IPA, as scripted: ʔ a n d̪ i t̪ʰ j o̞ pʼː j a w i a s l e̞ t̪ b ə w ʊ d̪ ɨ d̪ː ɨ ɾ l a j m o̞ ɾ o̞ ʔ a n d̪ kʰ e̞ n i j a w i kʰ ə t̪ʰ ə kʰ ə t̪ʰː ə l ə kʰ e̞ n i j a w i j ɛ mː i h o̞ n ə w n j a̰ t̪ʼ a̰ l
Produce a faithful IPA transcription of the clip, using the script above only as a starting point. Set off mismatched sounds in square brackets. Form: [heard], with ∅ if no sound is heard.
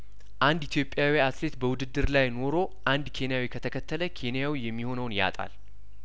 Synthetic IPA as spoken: ʔ a n d̪ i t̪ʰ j o̞ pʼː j a w i a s l e̞ t̪ b ə w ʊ d̪ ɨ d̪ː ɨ ɾ l a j [n] o̞ ɾ o̞ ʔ a n d̪ kʰ e̞ n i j a w i kʰ ə t̪ʰ ə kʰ ə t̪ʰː ə l ə kʰ e̞ n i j a w i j ɛ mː i h o̞ n ə w n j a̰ t̪ʼ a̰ l

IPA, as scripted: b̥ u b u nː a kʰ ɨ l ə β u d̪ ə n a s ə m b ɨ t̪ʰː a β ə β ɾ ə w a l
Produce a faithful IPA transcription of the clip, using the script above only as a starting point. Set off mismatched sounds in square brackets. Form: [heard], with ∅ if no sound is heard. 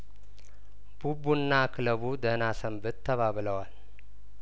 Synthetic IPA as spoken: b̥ u b u nː a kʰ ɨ l ə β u d̪ ə n a s ə m b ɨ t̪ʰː [ə] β [a] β [l] ə w a l

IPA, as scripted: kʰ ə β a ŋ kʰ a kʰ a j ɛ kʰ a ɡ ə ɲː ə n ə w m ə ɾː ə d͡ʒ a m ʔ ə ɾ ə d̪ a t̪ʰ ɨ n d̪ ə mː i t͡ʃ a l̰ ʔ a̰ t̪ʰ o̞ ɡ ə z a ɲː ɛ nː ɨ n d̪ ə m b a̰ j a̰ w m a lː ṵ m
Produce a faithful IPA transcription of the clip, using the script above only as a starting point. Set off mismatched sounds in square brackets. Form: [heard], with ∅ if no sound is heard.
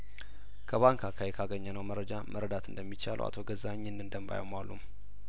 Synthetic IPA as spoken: kʰ ə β a ŋ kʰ a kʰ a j ɛ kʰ a ɡ ə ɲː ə n ə w m ə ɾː ə d͡ʒ a m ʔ ə ɾ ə d̪ a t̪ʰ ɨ n d̪ ə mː i t͡ʃ a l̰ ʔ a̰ t̪ʰ o̞ ɡ ə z a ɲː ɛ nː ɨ n d̪ ə m b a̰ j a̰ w m a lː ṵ m

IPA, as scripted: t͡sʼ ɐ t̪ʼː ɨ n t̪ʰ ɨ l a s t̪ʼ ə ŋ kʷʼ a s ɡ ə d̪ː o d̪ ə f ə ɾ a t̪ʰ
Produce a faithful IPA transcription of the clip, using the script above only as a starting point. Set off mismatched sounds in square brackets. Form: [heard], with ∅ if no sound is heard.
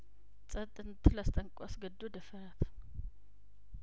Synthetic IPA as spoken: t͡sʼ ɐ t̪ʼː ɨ n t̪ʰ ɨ l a s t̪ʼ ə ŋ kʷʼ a s ɡ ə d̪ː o d̪ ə f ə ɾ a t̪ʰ

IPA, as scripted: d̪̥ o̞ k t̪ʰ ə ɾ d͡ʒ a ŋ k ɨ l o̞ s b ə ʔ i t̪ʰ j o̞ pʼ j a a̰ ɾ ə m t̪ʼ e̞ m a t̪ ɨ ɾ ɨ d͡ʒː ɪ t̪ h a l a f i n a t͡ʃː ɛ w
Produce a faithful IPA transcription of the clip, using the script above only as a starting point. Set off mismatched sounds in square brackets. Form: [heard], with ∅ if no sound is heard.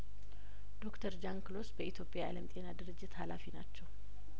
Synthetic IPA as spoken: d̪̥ o̞ k t̪ʰ ə ɾ d͡ʒ a ŋ k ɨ l o̞ s b ə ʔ i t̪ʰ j o̞ pʼ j a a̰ [l] ə m t̪ʼ e̞ [n] a [d̪] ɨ ɾ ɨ d͡ʒː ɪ t̪ h a l a f i n a t͡ʃː ɛ w

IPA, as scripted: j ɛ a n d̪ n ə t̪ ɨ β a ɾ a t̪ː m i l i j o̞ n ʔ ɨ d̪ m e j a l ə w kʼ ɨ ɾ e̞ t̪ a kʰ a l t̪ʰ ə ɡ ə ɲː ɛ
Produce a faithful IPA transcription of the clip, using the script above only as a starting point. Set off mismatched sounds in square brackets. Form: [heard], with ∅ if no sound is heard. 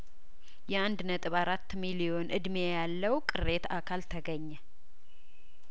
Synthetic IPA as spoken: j ɛ a n d̪ n ə [t̪ʼ] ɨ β a ɾ a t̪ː m i l i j o̞ n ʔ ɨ d̪ m e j a [lː] ə w kʼ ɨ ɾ e̞ t̪ a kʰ a l t̪ʰ ə ɡ ə ɲː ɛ

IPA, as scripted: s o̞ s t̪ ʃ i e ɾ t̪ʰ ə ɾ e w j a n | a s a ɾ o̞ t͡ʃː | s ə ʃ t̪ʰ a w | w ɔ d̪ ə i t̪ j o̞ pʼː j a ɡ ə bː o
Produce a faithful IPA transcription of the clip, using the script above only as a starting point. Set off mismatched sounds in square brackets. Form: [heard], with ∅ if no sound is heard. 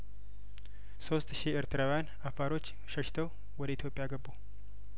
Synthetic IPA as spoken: s o̞ s t̪ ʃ i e ɾ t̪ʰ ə ɾ [a] w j a n | a [f] a ɾ o̞ t͡ʃː | [ʃ] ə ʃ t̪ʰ [ə] w | w ɔ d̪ ə i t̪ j o̞ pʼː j a ɡ ə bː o

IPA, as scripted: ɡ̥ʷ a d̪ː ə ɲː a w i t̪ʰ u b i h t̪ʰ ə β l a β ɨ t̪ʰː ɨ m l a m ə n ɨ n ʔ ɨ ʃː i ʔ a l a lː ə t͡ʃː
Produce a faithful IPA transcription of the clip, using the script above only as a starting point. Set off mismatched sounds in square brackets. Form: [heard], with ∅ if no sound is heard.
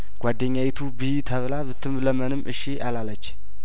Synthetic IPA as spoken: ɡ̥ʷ a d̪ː ə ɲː a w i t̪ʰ u b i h t̪ʰ ə β l a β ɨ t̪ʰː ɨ m l [ə] m ə n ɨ [m] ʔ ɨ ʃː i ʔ a l a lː ə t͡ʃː

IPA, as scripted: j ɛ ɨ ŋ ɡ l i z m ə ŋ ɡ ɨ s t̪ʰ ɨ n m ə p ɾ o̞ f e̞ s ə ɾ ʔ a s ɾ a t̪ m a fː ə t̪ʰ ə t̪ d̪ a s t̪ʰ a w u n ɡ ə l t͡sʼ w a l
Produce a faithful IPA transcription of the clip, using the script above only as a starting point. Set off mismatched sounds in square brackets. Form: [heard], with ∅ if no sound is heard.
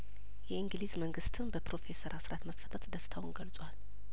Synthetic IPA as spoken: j ɛ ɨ ŋ ɡ l i z m ə ŋ ɡ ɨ s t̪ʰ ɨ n [b] ə p ɾ o̞ f e̞ s ə ɾ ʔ a s ɾ a t̪ m [ə] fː ə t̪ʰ ə t̪ d̪ [ə] s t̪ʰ a w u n ɡ ə l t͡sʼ w a l

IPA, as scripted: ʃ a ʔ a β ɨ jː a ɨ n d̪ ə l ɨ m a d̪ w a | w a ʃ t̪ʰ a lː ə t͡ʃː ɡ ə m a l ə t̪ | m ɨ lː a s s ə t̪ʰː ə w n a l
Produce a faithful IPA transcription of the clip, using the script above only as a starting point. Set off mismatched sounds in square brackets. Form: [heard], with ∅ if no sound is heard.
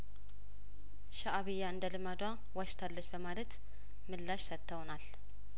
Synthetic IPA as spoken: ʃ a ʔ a β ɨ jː a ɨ n d̪ ə l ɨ m a d̪ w a | w a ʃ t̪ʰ a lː ə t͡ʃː [b] ə m a l ə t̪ | m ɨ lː a [ʃ] s ə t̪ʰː ə w n a l

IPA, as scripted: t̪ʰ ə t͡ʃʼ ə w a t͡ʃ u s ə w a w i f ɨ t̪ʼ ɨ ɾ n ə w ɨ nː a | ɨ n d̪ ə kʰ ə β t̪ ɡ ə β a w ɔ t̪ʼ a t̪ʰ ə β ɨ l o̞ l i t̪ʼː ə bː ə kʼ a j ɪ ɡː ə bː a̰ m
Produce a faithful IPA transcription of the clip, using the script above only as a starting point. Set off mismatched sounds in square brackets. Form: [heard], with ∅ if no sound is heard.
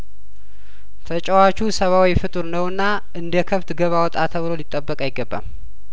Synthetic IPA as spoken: t̪ʰ ə t͡ʃʼ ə w a t͡ʃ u s ə [β] a w i f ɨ t̪ʼ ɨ ɾ n ə w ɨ nː a | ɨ n d̪ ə kʰ ə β t̪ ɡ ə β a w ɔ t̪ʼ a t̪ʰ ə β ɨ l o̞ l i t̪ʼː ə bː ə kʼ a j ɪ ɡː ə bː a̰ m

